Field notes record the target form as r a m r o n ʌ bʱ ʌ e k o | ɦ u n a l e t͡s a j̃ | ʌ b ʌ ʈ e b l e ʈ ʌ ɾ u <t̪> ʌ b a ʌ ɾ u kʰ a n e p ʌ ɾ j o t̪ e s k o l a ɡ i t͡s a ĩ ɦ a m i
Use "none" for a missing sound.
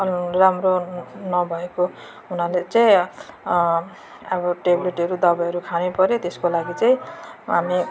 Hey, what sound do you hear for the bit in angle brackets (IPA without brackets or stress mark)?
d̪